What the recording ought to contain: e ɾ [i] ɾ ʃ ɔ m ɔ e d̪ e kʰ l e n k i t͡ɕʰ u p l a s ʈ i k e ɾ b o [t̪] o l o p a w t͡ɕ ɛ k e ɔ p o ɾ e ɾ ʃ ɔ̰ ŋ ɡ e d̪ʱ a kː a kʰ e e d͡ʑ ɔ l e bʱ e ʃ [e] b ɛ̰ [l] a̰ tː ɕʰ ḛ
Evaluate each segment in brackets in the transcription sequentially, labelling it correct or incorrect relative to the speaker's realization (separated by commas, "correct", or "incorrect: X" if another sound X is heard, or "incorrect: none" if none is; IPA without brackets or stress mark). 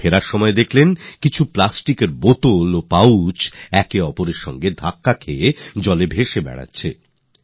incorrect: a, correct, correct, incorrect: ɽ